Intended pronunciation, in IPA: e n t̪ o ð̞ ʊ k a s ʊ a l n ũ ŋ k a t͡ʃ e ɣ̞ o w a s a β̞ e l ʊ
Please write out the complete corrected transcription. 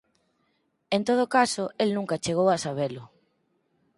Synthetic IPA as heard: e n t̪ o ð̞ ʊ k a s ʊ e l n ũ ŋ k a t͡ʃ e ɣ̞ o w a s a β̞ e l ʊ